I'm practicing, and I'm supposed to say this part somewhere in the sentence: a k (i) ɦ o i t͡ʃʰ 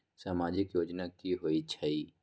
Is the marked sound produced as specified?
yes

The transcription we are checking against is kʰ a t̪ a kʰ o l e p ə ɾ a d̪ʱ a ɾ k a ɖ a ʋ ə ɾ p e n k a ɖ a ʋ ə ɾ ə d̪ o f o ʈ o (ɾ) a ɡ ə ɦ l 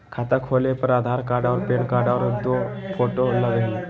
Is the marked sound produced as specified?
no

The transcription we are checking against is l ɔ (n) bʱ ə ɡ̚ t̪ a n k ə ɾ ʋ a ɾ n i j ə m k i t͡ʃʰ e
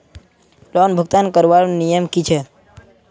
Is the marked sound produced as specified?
yes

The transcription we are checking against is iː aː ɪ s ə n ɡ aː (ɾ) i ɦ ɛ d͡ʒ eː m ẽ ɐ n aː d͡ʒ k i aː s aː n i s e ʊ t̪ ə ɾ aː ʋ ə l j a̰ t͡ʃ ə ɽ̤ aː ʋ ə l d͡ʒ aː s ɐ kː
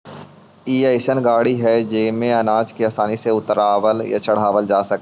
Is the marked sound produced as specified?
no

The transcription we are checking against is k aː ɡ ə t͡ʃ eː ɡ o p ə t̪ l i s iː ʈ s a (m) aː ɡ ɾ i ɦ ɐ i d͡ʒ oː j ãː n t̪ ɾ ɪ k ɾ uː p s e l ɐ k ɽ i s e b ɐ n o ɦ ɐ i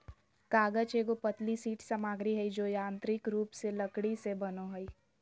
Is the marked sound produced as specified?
yes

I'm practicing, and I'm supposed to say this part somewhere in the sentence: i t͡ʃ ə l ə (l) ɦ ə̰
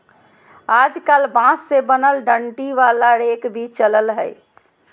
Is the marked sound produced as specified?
yes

